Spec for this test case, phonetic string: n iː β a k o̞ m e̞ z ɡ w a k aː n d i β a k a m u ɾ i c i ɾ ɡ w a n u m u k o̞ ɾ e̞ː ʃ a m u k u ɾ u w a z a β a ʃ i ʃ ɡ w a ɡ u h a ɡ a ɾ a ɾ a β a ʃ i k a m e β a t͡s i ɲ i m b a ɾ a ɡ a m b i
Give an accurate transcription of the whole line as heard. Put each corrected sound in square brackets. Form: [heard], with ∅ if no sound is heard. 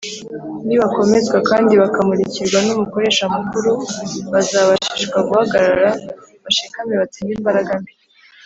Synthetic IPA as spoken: n [i] β a k o̞ m e̞ z ɡ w a k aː n d i β a k a m u ɾ i c i ɾ ɡ w a n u m u k o̞ ɾ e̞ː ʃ a m u k u ɾ u [β] a z a β a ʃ i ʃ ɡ w a ɡ u h a ɡ a ɾ a ɾ a β a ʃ i k a m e β a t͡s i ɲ i m b a ɾ a ɡ a m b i